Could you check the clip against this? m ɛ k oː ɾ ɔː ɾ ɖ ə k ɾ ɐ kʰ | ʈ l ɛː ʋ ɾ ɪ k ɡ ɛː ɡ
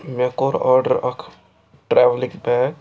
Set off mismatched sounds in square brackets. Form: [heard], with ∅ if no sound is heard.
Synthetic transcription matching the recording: m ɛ k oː ɾ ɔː ɾ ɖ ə [∅] ɾ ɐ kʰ | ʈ [ɾ] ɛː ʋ [l] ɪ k [b] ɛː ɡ